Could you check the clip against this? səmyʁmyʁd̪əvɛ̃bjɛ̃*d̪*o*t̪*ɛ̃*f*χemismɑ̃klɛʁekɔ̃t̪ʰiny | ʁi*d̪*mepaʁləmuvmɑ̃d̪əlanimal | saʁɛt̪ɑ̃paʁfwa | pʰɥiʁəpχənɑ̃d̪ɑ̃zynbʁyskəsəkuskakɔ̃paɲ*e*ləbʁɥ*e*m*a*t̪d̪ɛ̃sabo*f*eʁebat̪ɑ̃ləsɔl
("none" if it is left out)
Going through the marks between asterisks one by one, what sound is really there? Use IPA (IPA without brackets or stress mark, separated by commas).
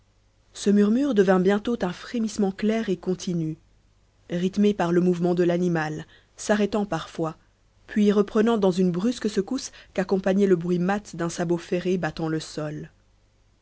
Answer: t̪, t̪, f, t̪, ɛ, i, a, f